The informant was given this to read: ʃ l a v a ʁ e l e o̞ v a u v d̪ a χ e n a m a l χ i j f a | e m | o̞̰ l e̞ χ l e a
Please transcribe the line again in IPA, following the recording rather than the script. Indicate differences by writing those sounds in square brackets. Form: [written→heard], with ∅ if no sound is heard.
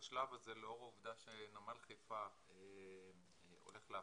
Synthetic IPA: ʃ l a v a [ʁ→z] e l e o̞ [v→ʁ] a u v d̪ a [χ→ʃ] e n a m a l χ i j f a | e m | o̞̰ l e̞ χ l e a

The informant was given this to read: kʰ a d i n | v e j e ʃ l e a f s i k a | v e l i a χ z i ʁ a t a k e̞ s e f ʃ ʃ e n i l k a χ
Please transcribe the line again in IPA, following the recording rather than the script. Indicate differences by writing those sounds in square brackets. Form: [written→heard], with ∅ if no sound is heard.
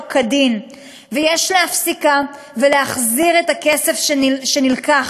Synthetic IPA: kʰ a d i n | v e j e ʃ l e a f s i k a | v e l [i→e] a χ z i ʁ [a→e] t a k e̞ s e f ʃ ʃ e n i l k a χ

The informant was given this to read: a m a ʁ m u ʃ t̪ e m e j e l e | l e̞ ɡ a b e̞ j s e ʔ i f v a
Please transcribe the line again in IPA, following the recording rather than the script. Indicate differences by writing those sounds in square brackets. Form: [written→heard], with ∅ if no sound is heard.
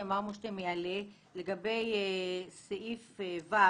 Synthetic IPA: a m a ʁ m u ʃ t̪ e m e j [e→a] l e | l e̞ ɡ a b e̞ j s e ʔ i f v a

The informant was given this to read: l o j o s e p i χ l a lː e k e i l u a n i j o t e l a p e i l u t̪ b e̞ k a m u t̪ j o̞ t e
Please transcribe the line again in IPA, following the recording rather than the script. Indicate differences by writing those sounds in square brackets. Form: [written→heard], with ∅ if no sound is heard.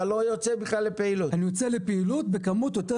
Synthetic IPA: l o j o [s→t͡s] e [p→b] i χ l a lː e [k→p] e i l u a n i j o [t→t͡s] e l [a→e] p e i l u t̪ b e̞ k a m u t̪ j o̞ t e

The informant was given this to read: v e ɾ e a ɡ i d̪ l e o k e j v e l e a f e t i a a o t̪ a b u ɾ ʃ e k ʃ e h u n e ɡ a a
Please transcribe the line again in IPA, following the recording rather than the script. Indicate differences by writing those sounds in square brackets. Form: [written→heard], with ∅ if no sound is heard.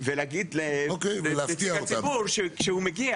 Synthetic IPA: v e [ɾ→l] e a ɡ i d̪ l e o k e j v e l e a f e t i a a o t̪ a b u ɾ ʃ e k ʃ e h u [n→m] e ɡ [a→i] a

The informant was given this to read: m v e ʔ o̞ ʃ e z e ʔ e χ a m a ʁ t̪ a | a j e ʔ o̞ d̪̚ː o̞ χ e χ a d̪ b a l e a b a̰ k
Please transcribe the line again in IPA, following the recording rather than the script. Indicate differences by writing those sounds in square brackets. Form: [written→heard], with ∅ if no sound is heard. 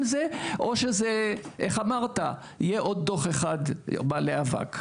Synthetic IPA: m [v→z] e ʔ o̞ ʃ e z e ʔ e χ a m a ʁ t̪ a | [a→i] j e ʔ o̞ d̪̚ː o̞ χ e χ a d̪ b a l e a [b→v] a̰ k

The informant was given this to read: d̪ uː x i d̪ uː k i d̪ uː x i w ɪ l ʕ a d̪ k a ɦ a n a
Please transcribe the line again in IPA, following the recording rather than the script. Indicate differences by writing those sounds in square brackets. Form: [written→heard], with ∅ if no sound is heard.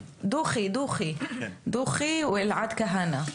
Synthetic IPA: d̪ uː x i d̪ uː [k→x] i d̪ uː x i w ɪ l ʕ a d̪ k a ɦ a n a

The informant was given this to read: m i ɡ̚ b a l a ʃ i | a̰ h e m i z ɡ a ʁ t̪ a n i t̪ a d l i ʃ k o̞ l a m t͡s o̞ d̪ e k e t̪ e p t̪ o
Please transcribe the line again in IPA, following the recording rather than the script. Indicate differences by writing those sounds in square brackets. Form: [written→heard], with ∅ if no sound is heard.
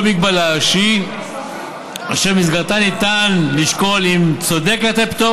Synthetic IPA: m i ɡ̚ b a l a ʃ i | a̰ [h→ʃ] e m i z ɡ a ʁ t̪ a n i t̪ a [d→n] l i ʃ k o̞ l [a→i] m t͡s o̞ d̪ e k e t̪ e p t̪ o

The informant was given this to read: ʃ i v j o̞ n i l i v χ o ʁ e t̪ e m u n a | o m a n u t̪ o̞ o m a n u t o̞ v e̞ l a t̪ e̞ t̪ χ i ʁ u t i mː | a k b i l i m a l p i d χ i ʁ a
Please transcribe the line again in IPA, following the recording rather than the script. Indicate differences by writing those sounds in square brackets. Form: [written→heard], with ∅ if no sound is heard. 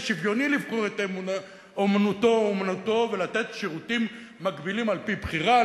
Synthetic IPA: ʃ i v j o̞ n i l i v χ o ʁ e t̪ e m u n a | o m a n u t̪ o̞ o m a n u t o̞ v e̞ l a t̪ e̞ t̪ [χ→ʃ] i ʁ u t i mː | a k b i l i m a l p i [d→b] χ i ʁ a

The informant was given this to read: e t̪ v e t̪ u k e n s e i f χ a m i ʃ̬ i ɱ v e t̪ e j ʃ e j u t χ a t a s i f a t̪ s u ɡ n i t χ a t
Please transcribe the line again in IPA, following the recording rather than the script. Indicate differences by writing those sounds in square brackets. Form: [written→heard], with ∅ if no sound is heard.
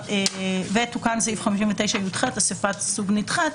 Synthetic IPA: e [t̪→∅] v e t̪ u k [e→a] n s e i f χ a m i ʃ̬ i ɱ v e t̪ e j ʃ [e→a] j u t χ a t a s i f a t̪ s u ɡ n i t χ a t

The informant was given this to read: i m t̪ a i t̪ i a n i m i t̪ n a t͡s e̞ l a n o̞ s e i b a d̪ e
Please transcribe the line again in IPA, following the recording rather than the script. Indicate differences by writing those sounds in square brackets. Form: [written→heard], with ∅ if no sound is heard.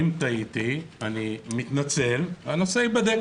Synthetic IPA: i m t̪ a i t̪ i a n i m i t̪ n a t͡s e̞ l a n o̞ s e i b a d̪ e

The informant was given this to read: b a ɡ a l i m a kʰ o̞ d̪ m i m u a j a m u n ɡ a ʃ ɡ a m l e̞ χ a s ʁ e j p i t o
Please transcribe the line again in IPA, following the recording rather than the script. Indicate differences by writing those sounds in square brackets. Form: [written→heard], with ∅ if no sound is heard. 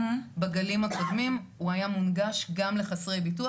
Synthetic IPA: b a ɡ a l i m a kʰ o̞ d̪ m i m u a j a m u n ɡ a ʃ ɡ a m l e̞ χ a s ʁ e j [p→b] i t [o→u]

